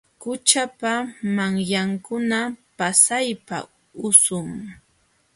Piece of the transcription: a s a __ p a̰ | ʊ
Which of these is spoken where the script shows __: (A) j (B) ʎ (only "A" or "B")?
A